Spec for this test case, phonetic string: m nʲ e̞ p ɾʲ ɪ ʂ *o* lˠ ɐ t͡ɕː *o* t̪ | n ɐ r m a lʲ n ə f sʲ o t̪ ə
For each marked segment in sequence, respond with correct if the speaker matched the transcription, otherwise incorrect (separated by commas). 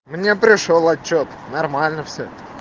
correct, correct